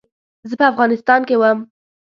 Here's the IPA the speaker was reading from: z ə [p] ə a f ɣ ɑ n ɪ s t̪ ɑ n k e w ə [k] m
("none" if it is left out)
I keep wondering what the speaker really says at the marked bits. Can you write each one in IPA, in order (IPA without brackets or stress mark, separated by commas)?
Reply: p, none